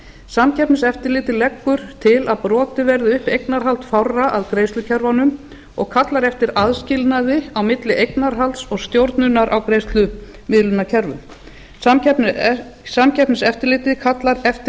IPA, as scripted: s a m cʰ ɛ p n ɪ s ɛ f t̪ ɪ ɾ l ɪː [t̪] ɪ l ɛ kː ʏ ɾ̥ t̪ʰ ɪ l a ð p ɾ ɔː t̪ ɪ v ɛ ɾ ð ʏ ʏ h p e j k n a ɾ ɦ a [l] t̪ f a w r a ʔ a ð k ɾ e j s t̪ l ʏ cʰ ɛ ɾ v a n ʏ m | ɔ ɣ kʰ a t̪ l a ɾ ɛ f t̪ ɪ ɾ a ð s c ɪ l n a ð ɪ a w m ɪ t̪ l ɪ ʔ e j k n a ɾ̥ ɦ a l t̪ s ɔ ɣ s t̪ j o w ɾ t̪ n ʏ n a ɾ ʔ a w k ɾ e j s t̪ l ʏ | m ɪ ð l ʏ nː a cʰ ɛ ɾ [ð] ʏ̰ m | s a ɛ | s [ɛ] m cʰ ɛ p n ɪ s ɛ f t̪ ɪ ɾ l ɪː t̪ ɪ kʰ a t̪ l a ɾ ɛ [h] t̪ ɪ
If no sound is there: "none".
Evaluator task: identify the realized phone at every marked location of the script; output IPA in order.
t̪, l, v, a, f

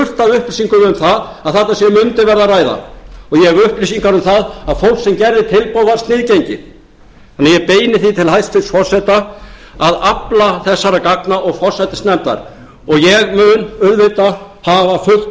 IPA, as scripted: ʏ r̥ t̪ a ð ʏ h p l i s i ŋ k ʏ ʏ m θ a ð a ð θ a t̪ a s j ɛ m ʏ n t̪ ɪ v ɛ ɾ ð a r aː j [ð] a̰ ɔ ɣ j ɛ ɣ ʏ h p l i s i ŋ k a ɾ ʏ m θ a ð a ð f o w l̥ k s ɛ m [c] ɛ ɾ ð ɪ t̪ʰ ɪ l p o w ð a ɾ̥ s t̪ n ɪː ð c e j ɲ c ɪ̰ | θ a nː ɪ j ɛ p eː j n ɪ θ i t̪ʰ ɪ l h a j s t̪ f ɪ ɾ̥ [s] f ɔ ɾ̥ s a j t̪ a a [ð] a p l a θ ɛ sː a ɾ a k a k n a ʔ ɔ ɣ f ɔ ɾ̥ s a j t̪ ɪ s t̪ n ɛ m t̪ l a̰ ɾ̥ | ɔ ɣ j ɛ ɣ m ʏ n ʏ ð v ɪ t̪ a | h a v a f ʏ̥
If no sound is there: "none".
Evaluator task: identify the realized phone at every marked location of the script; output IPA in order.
ð, c, s, ð

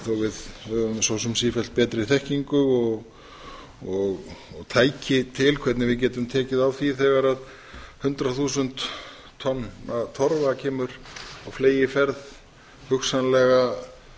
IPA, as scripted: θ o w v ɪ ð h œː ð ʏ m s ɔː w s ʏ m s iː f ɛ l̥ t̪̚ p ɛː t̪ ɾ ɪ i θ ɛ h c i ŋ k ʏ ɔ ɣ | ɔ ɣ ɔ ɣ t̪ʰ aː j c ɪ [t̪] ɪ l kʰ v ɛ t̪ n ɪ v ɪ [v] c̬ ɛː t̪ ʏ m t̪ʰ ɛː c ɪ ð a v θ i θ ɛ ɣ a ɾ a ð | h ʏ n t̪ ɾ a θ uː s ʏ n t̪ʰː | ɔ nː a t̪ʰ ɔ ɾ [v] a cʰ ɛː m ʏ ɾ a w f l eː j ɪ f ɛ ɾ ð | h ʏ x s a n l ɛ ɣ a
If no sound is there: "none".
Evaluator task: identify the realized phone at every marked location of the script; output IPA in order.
t̪ʰ, ð, v

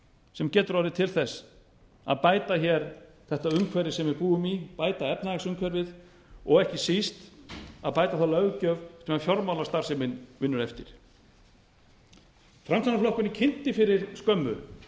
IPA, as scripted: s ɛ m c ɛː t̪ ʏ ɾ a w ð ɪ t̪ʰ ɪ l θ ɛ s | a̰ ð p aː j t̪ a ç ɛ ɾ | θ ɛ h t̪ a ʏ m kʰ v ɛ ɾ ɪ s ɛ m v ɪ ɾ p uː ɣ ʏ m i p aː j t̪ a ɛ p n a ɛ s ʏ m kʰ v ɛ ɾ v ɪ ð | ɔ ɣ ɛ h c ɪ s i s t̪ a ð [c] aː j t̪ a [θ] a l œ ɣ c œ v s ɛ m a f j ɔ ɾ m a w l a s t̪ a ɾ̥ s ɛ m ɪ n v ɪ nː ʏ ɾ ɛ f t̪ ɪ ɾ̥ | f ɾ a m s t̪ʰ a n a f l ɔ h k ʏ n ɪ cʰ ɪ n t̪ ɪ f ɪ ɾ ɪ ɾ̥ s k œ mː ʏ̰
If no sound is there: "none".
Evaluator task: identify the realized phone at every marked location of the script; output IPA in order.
p, θ

